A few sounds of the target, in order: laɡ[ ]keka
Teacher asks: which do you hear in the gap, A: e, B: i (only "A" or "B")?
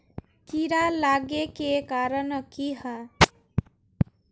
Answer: A